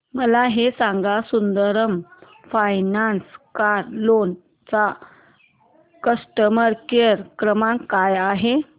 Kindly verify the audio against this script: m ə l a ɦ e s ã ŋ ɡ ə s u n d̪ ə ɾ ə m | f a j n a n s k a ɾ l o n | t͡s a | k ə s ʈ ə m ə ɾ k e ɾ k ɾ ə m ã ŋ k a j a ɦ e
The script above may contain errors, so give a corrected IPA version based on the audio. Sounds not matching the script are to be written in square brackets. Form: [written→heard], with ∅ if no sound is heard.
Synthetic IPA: m ə l a ɦ e s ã ŋ ɡ [ə→a] s u n d̪ ə ɾ ə m | f a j n a n s k a ɾ l o n | t͡s a | k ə s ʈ ə m ə ɾ k e ɾ k ɾ ə m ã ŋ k a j a ɦ e